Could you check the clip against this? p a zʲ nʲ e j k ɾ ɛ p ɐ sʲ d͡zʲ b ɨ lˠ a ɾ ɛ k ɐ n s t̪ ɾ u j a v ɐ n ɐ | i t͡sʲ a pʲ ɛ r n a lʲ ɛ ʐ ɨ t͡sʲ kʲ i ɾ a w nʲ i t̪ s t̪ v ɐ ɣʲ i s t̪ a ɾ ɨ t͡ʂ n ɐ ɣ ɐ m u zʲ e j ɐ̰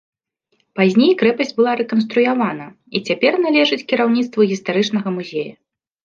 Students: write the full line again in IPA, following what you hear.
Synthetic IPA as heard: p a zʲ nʲ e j k ɾ ɛ p ɐ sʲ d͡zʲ b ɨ lˠ a ɾ ɛ k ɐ n s t̪ ɾ u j a v a n ɐ | i t͡sʲ a pʲ ɛ r n a lʲ ɛ ʐ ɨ t͡sʲ kʲ i ɾ a w nʲ i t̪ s t̪ v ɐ ɣʲ i s t̪ a ɾ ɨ t͡ʂ n ɐ ɣ ɐ m u zʲ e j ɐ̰